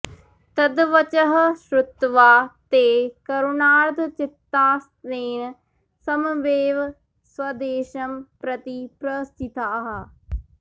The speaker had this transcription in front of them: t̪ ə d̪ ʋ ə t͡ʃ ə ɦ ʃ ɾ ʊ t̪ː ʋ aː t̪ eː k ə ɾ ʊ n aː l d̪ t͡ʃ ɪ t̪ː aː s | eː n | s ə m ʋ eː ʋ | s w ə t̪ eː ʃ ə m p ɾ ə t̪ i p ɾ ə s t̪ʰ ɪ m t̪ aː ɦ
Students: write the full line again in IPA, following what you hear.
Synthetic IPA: t̪ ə d̪ ʋ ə t͡ʃ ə ɦ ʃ ɾ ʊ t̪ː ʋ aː t̪ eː k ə ɾ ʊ n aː ɾ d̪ t͡ʃ ɪ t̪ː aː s | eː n | s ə m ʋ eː ʋ | s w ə d̪ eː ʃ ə m p ɾ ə t̪ i p ɾ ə s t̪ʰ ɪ t̪ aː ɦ

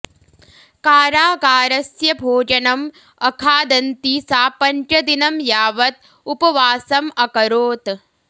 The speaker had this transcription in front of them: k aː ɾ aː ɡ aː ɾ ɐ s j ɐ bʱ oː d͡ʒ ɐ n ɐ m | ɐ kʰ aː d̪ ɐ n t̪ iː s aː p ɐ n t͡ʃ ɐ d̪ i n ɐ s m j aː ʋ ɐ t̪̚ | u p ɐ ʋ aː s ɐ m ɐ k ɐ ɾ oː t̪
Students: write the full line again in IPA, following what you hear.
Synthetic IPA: k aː ɾ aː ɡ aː ɾ ɐ s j ɐ bʱ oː d͡ʒ ɐ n ɐ m | ɐ kʰ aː d̪ ɐ n t̪ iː s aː p ɐ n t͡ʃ ɐ d̪ i n ɐ m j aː ʋ ɐ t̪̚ | u p ɐ ʋ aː s ɐ m ɐ k ɐ ɾ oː t̪

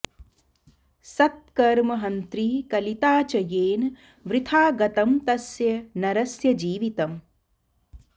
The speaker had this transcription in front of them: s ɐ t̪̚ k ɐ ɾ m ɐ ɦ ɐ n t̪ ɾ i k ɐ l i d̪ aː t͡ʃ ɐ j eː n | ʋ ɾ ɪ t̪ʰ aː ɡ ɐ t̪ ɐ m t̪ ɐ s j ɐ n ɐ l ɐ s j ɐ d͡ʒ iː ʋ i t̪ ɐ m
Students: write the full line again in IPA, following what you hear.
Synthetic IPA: s ɐ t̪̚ k ɐ ɾ m ɐ ɦ ɐ n t̪ ɾ i k ɐ l i t̪ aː t͡ʃ ɐ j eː n | ʋ ɾ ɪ t̪ʰ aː ɡ ɐ t̪ ɐ m t̪ ɐ s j ɐ n ɐ ɾ ɐ s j ɐ d͡ʒ iː ʋ i t̪ ɐ m

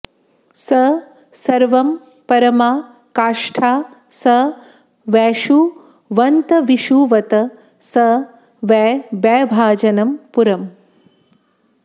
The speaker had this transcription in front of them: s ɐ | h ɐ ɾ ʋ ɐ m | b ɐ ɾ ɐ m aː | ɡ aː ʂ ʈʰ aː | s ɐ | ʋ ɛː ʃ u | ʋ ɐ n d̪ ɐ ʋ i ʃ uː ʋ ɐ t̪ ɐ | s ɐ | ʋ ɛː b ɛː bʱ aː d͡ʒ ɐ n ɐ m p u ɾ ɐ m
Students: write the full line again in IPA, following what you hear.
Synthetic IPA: s ɐ | s ɐ ɾ ʋ ɐ m | p ɐ ɾ ɐ m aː | k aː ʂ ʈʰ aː | s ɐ | ʋ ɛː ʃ u | ʋ ɐ n t̪ ɐ ʋ i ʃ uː ʋ ɐ t̪ ɐ | s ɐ | ʋ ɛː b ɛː bʱ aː d͡ʒ ɐ n ɐ m p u ɾ ɐ m

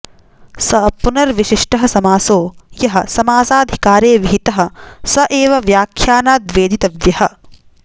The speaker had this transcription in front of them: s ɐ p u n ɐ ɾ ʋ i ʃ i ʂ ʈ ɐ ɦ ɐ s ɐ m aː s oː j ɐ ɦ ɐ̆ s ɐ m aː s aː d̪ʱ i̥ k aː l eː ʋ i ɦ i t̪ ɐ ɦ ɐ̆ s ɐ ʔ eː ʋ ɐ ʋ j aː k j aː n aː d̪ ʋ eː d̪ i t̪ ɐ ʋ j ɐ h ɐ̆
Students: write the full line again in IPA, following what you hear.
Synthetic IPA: s ɐ p u n ɐ ɾ ʋ i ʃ i ʂ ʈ ɐ ɦ ɐ s ɐ m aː s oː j ɐ ɦ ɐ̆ s ɐ m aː s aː d̪ʱ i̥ k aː ɾ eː ʋ i ɦ i t̪ ɐ ɦ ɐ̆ s ɐ ʔ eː ʋ ɐ ʋ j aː kʰ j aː n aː d̪ ʋ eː d̪ i t̪ ɐ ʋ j ɐ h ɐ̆

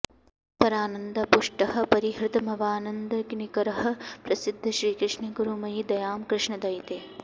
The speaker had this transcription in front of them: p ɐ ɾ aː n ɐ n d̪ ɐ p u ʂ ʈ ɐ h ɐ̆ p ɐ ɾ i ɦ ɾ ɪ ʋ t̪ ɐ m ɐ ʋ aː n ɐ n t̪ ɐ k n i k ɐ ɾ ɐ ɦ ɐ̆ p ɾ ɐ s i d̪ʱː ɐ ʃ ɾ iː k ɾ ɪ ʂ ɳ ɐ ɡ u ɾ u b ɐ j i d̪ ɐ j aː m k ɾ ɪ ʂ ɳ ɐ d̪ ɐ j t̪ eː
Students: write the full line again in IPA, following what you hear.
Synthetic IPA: p ɐ ɾ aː n ɐ n d̪ ɐ p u ʂ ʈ ɐ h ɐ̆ p ɐ ɾ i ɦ ɾ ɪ t̪ ɐ m ɐ ʋ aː n ɐ n d̪ ɐ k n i k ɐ ɾ ɐ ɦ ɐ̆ p ɾ ɐ s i d̪ʱː ɐ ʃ ɾ iː k ɾ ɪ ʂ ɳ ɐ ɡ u ɾ u m ɐ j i d̪ ɐ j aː m k ɾ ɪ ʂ ɳ ɐ d̪ ɐ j t̪ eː

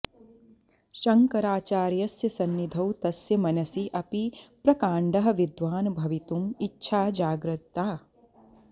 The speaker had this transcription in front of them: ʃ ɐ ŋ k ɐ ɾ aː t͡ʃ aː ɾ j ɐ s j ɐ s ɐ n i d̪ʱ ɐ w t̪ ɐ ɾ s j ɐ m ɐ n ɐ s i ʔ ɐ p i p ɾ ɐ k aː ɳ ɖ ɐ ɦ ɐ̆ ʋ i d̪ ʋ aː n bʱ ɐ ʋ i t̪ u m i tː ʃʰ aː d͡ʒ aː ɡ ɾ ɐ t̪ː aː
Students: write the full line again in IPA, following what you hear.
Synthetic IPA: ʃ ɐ ŋ k ɐ ɾ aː t͡ʃ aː ɾ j ɐ s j ɐ s ɐ nː i d̪ʱ ɐ w t̪ ɐ s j ɐ m ɐ n ɐ s i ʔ ɐ p i p ɾ ɐ k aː ɳ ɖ ɐ ɦ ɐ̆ ʋ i d̪ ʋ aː n bʱ ɐ ʋ i t̪ u m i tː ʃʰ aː d͡ʒ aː ɡ ɾ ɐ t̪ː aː

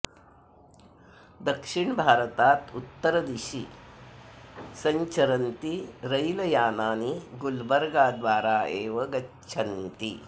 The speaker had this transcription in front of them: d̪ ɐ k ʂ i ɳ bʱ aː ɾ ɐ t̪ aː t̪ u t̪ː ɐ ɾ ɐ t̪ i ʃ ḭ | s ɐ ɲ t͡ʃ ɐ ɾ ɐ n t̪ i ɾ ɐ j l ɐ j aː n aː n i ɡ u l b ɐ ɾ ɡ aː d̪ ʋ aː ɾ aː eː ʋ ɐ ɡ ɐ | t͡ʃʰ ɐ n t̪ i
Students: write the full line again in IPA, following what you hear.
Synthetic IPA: d̪ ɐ k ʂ i ɳ bʱ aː ɾ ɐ t̪ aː t̪ u t̪ː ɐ ɾ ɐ d̪ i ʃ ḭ | s ɐ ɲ t͡ʃ ɐ ɾ ɐ n t̪ i ɾ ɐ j l ɐ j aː n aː n i ɡ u l b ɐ ɾ ɡ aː d̪ ʋ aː ɾ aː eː ʋ ɐ ɡ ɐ | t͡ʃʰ ɐ n t̪ i

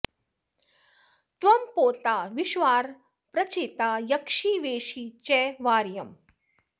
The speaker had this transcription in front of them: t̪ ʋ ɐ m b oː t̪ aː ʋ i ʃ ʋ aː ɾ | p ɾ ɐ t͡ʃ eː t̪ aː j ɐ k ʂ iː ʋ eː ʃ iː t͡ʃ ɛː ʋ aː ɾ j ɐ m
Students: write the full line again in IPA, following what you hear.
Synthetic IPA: t̪ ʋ ɐ m p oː t̪ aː ʋ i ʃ ʋ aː ɾ | p ɾ ɐ t͡ʃ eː t̪ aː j ɐ k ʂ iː ʋ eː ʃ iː t͡ʃ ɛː ʋ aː ɾ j ɐ m

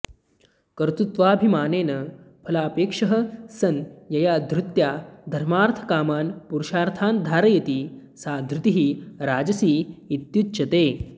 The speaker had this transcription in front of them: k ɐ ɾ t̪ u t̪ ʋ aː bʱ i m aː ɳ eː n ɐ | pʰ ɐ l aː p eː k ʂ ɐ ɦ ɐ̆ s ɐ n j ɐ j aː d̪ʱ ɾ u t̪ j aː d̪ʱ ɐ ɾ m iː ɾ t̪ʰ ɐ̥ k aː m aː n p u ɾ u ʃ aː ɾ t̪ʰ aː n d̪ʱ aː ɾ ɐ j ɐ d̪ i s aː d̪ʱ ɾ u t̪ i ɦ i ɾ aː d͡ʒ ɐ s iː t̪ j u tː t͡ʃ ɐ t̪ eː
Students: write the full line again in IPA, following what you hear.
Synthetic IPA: k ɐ ɾ t̪ u t̪ ʋ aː bʱ i m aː n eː n ɐ | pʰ ɐ l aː p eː k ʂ ɐ ɦ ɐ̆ s ɐ n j ɐ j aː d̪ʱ ɾ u t̪ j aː d̪ʱ ɐ ɾ m aː ɾ t̪ʰ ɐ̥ k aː m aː n p u ɾ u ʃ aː ɾ t̪ʰ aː n d̪ʱ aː ɾ ɐ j ɐ t̪ i s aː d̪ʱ ɾ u t̪ i ɦ i ɾ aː d͡ʒ ɐ s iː t̪ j u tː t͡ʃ ɐ t̪ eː

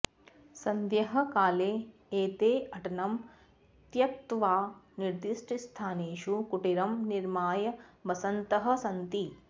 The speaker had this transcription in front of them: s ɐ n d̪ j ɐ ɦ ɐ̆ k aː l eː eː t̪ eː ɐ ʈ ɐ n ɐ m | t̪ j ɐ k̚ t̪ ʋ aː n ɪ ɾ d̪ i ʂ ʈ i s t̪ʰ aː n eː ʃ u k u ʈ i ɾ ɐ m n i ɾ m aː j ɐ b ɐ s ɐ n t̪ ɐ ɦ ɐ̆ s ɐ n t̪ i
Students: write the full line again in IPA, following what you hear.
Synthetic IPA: s ɐ n d̪ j ɐ ɦ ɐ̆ k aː l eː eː t̪ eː ɐ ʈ ɐ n ɐ m | t̪ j ɐ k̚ t̪ ʋ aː n i ɾ d̪ i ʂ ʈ i s t̪ʰ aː n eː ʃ u k u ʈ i ɾ ɐ m n i ɾ m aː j ɐ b ɐ s ɐ n t̪ ɐ ɦ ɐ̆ s ɐ n t̪ i

